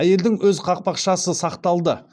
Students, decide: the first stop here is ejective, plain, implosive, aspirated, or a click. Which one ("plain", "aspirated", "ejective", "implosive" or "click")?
plain